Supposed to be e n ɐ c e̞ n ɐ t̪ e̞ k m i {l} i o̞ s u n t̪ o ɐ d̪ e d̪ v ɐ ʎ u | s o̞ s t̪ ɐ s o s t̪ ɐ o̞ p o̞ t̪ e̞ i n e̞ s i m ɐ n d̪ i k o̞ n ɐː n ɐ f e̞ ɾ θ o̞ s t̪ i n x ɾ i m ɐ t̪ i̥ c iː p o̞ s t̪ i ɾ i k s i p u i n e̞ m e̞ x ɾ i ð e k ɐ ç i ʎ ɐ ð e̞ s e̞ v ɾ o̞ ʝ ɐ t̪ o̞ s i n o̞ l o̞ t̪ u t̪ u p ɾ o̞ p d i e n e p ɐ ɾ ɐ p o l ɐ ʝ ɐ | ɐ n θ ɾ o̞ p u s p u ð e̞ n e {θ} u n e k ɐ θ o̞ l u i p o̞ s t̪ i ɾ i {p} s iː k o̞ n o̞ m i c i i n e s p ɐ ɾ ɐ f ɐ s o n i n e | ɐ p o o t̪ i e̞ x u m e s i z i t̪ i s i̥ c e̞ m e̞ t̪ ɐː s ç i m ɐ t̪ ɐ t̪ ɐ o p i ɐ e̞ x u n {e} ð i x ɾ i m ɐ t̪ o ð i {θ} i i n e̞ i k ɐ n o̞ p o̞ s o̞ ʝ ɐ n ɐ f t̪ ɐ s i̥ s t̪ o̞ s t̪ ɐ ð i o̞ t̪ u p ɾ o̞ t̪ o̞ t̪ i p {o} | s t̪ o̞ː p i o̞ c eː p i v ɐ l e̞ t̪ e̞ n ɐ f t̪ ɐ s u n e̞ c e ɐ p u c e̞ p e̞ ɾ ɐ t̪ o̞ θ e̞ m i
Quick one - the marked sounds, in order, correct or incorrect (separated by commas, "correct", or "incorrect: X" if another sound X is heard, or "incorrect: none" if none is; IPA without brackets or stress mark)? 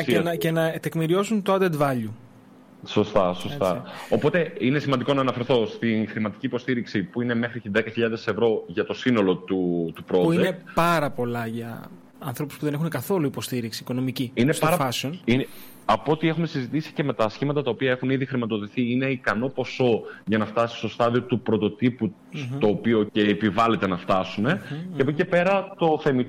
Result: incorrect: ɾ, incorrect: x, incorrect: k, incorrect: i, correct, incorrect: u